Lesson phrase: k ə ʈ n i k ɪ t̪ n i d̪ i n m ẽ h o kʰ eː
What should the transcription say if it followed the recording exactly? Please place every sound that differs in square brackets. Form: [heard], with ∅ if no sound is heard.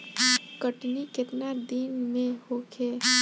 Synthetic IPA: k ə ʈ n i k ɪ t̪ n [a] d̪ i n m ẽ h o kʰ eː